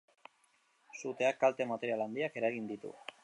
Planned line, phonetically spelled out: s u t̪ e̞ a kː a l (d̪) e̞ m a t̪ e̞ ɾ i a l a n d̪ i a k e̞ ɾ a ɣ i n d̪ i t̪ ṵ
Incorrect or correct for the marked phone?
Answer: incorrect: t̪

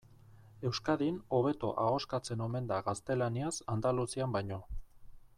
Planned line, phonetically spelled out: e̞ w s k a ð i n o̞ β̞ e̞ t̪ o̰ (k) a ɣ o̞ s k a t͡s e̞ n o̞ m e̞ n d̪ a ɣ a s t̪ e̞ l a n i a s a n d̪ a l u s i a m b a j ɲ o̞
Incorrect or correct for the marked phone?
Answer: incorrect: ʔ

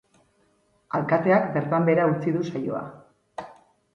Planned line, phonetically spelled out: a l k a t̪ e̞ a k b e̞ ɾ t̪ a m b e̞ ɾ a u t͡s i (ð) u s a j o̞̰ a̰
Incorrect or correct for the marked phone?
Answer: correct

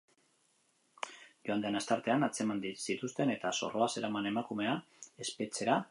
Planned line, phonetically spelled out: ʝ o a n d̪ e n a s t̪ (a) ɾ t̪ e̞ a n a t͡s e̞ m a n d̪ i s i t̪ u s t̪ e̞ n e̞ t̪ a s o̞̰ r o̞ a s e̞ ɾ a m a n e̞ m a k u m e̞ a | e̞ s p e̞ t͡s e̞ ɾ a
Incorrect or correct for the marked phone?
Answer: correct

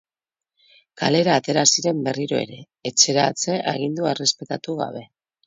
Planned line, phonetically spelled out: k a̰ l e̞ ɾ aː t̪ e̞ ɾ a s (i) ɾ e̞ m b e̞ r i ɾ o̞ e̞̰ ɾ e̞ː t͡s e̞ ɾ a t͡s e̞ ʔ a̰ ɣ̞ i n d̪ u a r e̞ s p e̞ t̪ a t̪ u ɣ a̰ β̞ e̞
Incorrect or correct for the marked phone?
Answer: correct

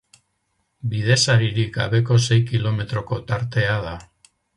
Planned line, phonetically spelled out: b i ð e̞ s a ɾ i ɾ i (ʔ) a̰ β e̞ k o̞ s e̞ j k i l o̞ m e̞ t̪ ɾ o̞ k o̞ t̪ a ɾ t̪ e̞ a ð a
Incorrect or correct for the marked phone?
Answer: incorrect: k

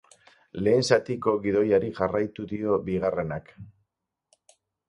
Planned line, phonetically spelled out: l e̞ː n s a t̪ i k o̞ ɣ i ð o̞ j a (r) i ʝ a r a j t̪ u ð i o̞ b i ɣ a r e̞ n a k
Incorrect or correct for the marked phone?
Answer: incorrect: ɾ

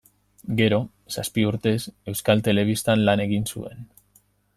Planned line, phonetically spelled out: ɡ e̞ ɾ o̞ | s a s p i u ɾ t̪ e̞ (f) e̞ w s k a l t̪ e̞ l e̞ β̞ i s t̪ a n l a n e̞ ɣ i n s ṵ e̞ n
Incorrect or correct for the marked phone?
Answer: incorrect: s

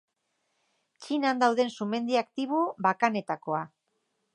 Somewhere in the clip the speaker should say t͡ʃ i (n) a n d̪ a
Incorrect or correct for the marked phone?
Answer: correct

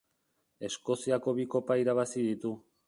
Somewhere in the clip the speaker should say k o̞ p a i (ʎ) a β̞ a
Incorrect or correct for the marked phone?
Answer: incorrect: ɾ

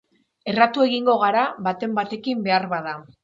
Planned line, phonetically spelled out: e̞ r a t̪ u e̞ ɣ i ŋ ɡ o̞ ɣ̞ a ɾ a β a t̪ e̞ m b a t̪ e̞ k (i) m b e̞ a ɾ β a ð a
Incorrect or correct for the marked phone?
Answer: correct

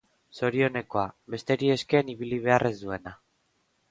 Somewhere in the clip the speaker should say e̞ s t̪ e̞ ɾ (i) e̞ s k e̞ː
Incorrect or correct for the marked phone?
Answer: correct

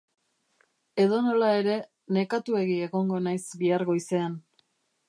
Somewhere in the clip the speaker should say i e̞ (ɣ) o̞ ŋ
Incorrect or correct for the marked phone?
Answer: correct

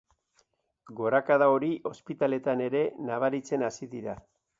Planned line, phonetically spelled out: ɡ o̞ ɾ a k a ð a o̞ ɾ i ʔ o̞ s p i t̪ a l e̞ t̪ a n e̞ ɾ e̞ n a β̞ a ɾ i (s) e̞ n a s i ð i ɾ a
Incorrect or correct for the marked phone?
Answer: incorrect: t͡s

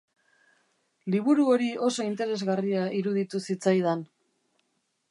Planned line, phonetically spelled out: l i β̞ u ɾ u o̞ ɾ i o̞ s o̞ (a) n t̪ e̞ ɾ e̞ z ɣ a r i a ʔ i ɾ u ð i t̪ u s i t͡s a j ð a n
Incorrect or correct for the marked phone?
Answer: incorrect: i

